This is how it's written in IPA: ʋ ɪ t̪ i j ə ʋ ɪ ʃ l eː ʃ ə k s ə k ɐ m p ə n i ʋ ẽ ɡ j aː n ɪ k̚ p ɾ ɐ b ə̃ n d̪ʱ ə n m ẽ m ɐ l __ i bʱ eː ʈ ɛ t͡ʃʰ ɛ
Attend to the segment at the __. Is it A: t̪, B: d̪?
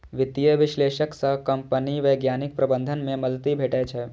A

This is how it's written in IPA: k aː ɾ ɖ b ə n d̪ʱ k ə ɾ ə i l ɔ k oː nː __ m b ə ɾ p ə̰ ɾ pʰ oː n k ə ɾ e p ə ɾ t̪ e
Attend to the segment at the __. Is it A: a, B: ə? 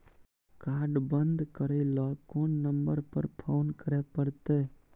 B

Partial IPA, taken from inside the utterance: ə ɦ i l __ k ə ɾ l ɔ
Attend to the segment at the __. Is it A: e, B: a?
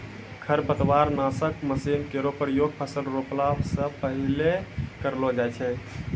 A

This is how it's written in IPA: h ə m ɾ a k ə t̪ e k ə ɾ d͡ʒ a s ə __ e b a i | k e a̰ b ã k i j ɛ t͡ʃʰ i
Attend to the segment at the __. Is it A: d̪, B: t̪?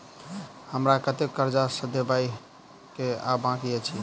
A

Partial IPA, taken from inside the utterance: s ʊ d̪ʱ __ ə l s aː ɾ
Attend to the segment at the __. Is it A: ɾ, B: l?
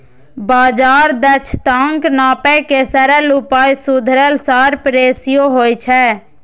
A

